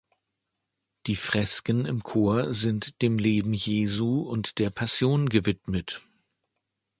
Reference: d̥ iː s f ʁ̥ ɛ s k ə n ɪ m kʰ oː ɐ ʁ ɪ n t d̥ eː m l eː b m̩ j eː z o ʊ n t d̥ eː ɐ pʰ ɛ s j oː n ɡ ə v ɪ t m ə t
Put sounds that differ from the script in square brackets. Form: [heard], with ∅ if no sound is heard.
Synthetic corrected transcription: d̥ iː [∅] f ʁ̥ ɛ s k ə n ɪ m kʰ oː ɐ [z] ɪ n t d̥ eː m l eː b m̩ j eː z [u] ʊ n t d̥ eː ɐ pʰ [a] s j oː n ɡ ə v ɪ t m ə t